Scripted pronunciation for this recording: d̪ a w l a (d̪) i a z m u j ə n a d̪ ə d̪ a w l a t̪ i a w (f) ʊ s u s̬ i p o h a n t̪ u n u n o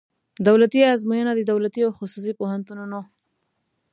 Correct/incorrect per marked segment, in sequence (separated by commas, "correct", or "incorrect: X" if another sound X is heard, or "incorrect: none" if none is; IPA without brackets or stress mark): incorrect: t̪, incorrect: x